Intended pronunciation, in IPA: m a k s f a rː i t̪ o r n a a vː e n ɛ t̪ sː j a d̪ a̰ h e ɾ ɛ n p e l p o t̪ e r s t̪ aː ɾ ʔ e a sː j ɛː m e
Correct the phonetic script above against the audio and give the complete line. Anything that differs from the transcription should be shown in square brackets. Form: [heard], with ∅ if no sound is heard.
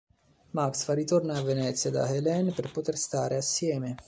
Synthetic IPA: m a k s f a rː i t̪ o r n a a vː e n ɛ t̪ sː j a d̪ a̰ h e [l] ɛ n p e [r] p o t̪ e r s t̪ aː ɾ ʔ e a sː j ɛː m e